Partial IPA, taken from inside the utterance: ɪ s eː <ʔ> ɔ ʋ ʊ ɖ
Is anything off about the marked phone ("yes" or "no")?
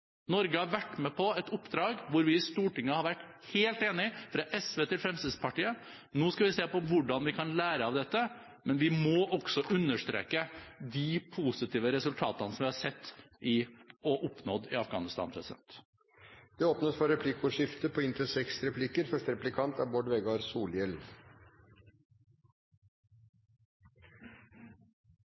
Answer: yes